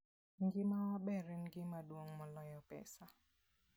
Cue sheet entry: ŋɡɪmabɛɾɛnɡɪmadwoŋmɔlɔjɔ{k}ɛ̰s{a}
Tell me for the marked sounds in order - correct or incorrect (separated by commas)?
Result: incorrect, correct